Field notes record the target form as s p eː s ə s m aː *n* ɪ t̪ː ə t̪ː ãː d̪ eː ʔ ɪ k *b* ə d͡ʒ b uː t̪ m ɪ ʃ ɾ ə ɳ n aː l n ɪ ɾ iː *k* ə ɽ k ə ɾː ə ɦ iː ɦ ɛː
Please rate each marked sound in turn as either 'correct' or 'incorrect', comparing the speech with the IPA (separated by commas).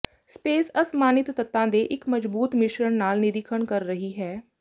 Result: correct, incorrect, incorrect